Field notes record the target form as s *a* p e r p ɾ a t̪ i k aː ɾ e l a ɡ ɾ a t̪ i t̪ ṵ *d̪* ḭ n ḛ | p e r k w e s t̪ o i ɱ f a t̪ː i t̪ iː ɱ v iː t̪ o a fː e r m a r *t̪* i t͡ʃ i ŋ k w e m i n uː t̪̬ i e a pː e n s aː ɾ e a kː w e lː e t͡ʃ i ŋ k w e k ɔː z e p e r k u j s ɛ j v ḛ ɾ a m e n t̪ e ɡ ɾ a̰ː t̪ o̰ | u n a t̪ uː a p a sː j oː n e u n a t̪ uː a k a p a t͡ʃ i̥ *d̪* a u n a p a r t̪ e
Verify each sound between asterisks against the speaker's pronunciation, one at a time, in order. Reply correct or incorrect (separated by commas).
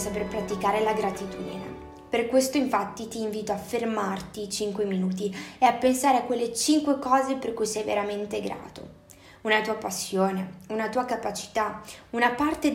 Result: correct, correct, correct, incorrect